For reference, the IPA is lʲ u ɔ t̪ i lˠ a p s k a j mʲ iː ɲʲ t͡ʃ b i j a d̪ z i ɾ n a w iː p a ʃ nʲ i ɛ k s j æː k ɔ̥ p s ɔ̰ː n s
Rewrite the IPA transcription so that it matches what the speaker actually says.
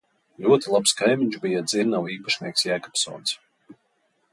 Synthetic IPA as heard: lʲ u ɔ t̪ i lˠ a p s k a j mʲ i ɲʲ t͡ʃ b i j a d̪ z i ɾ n a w iː p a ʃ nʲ i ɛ k s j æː k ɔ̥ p s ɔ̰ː n s